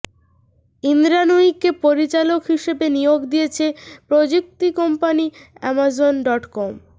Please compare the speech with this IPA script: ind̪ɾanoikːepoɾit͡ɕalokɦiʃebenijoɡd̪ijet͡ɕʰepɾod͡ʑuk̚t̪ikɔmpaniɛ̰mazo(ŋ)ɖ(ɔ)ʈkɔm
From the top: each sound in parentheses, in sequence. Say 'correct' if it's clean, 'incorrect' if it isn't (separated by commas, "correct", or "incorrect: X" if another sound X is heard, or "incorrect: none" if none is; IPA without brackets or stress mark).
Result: incorrect: n, correct